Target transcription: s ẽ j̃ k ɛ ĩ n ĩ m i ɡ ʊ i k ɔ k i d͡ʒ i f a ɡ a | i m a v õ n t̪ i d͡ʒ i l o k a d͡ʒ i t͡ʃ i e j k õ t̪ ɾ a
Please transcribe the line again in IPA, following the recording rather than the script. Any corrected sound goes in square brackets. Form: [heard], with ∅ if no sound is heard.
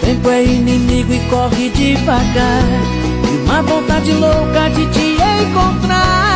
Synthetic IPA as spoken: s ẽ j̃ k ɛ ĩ n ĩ m i ɡ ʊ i k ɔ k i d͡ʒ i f a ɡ a | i m a v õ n t̪ [a] d͡ʒ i l o k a d͡ʒ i t͡ʃ i e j k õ t̪ ɾ a